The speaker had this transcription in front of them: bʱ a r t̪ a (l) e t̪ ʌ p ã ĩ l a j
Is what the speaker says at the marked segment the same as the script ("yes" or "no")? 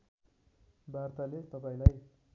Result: yes